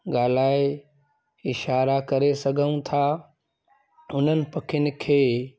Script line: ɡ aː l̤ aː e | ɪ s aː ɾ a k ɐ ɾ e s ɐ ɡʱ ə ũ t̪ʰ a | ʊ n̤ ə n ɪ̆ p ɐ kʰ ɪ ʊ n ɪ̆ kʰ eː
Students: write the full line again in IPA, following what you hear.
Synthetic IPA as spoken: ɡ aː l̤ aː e | ɪ ʃ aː ɾ a k ɐ ɾ e s ɐ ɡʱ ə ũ t̪ʰ a | ʊ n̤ ə n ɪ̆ p ɐ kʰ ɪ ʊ n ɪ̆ kʰ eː